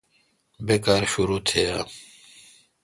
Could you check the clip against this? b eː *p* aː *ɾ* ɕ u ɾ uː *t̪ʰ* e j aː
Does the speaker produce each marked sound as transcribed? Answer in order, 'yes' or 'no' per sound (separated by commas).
no, yes, yes